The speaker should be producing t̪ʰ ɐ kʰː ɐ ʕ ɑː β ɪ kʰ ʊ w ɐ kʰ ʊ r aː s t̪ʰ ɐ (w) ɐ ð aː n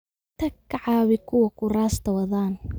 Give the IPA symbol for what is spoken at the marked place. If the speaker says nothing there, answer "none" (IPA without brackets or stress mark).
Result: w